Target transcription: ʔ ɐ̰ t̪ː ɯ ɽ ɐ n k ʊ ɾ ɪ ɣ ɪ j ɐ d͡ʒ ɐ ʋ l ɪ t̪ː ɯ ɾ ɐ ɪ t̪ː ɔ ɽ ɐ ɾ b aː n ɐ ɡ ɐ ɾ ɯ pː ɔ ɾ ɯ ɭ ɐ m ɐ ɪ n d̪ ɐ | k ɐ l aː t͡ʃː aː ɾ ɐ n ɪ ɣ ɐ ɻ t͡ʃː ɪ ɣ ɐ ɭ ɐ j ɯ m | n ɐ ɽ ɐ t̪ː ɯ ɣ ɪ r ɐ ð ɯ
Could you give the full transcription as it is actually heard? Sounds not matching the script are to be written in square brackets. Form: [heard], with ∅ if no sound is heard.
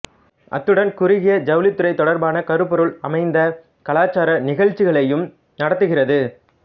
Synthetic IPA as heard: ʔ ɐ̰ t̪ː ɯ ɽ ɐ n k ʊ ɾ ɪ ɣ ɪ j ɐ d͡ʒ ɐ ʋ l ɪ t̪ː ɯ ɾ ɐ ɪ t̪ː ɔ ɽ ɐ ɾ b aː n ɐ [k] ɐ ɾ ɯ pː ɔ ɾ ɯ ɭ ɐ m ɐ ɪ n d̪ ɐ | k ɐ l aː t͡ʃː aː ɾ ɐ n ɪ ɣ ɐ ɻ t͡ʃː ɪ ɣ ɐ ɭ ɐ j ɯ m | n ɐ ɽ ɐ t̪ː ɯ ɣ ɪ r ɐ ð ɯ